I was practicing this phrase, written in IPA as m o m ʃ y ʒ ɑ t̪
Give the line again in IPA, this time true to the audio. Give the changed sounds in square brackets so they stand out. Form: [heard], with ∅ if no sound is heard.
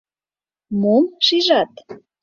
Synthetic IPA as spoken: m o m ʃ [i] ʒ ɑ t̪